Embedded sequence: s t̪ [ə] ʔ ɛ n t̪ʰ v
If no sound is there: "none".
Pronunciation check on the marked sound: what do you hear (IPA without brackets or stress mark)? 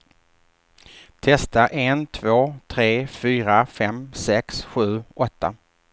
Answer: a